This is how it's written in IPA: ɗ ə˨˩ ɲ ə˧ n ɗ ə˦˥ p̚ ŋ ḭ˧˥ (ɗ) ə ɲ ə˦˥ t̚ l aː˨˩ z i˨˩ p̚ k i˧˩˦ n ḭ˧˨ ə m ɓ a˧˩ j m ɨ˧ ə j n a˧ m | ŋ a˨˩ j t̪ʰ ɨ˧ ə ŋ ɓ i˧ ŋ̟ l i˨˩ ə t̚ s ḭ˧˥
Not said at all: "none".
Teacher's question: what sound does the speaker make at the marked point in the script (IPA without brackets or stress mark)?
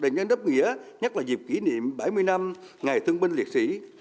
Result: none